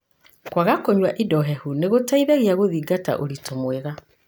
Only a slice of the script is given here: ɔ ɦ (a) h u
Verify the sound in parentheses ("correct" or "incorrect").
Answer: incorrect